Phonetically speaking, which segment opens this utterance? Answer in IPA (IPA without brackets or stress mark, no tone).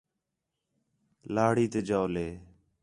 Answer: l